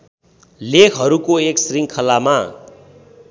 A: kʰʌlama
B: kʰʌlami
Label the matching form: A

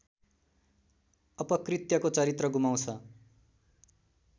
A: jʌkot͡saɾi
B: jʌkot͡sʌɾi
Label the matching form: B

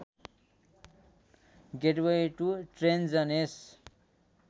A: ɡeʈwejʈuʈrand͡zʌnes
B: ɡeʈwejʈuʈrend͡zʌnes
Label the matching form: B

